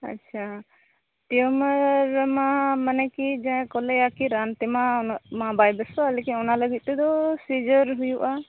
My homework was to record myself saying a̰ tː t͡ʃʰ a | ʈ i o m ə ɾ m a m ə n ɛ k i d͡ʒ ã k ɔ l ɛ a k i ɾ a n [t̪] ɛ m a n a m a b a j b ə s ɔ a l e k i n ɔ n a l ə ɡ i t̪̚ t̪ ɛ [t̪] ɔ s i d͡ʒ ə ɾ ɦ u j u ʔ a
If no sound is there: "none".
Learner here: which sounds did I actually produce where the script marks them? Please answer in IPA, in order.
t̪, d̪

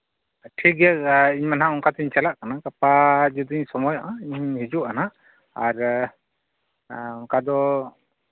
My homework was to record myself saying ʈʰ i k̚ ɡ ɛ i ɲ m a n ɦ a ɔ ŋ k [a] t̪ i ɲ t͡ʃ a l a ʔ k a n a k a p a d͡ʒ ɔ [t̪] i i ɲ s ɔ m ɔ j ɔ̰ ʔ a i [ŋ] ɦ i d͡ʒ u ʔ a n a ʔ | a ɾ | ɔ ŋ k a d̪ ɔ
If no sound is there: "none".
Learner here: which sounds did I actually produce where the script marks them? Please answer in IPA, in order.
a, d̪, ɲ

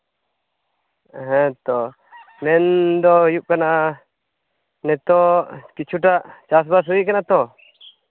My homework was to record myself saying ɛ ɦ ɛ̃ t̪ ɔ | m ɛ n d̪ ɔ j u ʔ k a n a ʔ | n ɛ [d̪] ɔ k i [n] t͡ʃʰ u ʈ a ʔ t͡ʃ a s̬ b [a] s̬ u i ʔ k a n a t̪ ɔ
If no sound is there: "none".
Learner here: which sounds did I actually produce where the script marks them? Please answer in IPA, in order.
t̪, none, a

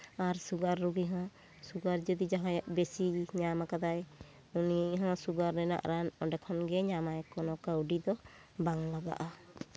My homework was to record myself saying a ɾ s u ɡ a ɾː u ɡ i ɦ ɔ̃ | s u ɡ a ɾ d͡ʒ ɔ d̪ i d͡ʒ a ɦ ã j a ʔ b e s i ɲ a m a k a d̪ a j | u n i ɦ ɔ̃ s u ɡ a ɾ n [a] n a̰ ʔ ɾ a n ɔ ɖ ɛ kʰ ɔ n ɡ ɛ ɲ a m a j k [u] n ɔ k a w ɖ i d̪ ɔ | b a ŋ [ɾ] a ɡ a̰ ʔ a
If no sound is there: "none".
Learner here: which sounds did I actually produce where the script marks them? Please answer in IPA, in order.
ɛ, ɔ, l

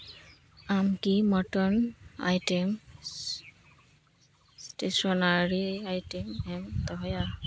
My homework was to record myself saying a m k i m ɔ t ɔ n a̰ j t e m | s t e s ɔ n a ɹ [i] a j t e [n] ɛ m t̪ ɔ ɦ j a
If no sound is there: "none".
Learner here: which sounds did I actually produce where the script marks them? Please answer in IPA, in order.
i, m

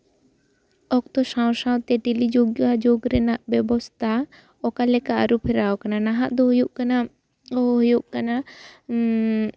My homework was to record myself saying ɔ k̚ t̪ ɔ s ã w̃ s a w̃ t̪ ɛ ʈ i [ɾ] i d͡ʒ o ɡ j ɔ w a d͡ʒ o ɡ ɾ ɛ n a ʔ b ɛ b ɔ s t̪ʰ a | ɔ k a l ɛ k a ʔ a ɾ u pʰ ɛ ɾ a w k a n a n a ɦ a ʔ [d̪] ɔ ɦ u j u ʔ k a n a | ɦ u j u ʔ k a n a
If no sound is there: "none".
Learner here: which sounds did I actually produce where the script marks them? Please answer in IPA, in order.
l, d̪

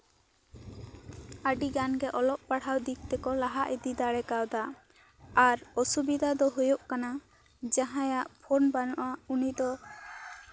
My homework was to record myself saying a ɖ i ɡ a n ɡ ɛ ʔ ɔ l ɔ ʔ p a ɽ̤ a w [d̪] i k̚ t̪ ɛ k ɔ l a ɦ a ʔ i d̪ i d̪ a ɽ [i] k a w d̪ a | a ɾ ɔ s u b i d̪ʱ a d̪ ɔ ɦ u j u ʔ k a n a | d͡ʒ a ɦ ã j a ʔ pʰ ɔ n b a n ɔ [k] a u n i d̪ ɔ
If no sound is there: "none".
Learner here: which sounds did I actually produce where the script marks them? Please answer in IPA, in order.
d̪, ɛ, ʔ

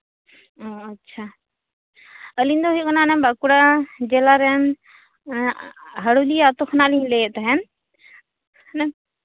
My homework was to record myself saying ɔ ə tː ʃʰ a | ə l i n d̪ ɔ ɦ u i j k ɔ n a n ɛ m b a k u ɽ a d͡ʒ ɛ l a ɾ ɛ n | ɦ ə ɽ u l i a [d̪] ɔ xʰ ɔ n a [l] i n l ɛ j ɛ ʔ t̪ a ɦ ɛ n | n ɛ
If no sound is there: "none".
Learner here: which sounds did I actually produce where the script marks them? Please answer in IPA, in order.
t̪, l

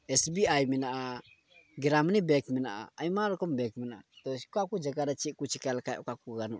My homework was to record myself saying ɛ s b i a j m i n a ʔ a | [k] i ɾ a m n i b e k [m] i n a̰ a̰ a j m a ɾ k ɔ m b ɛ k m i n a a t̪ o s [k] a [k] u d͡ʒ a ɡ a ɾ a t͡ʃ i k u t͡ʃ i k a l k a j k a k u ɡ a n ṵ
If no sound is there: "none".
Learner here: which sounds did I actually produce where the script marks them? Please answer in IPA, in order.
ɡ, m, k, k

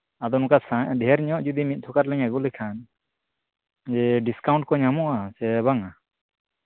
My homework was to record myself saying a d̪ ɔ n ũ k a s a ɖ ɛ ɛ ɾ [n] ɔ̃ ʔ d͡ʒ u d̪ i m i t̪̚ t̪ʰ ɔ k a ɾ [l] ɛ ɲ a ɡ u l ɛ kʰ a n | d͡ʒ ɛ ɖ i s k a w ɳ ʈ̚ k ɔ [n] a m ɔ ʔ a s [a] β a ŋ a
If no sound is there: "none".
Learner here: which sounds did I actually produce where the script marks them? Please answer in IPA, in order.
ɲ, l, ɲ, ɛ

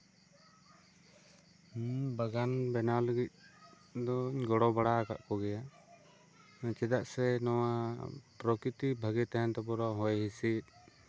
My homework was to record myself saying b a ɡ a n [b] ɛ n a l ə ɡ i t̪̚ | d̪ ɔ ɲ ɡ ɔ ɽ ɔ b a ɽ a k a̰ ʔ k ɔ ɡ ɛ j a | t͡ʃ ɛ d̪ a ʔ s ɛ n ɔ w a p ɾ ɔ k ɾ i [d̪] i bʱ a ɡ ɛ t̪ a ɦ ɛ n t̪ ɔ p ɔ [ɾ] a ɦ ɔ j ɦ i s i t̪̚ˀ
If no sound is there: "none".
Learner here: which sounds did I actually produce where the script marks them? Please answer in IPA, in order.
b, t̪, ɾ

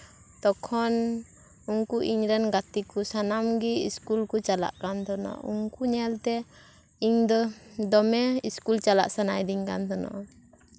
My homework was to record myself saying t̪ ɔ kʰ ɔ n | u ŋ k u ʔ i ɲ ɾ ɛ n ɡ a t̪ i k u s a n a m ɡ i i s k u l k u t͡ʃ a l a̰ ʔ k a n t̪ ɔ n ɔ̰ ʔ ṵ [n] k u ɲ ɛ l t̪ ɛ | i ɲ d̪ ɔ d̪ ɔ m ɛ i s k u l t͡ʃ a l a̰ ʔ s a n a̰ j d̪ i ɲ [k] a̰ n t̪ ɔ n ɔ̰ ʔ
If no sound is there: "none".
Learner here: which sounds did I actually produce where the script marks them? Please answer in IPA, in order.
ŋ, k

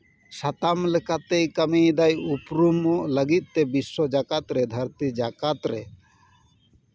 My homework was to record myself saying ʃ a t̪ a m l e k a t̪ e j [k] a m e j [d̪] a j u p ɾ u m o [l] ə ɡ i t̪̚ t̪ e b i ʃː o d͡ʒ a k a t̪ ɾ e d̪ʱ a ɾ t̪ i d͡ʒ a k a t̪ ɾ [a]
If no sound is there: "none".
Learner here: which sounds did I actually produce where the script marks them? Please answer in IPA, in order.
k, d̪, l, e

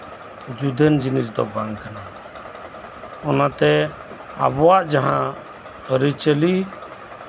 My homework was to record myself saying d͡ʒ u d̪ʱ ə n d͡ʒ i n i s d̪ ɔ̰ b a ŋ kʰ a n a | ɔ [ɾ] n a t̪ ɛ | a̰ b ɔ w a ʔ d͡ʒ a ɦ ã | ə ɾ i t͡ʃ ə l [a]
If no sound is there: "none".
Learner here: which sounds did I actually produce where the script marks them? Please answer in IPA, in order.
none, i

